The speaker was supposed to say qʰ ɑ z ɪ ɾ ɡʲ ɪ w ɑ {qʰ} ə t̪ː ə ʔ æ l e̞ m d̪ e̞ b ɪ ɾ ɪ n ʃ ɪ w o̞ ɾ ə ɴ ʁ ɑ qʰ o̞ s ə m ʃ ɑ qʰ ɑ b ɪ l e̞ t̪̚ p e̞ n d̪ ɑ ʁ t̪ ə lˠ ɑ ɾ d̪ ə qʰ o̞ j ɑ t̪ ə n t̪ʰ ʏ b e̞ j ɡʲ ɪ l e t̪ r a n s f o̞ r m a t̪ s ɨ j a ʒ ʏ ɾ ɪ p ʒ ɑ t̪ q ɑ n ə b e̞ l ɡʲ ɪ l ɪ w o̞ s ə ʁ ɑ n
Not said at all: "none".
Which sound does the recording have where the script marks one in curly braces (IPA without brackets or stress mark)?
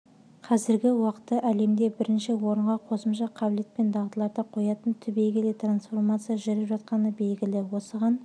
q